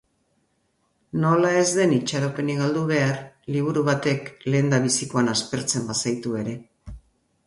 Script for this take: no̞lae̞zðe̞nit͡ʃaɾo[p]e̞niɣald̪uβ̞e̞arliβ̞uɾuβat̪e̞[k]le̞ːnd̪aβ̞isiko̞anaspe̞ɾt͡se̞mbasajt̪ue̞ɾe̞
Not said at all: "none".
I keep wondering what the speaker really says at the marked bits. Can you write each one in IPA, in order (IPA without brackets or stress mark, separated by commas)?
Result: p, k